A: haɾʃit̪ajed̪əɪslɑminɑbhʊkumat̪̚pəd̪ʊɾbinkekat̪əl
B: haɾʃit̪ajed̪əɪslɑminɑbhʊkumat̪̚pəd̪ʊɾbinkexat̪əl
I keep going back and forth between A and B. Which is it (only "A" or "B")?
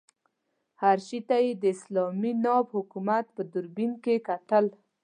A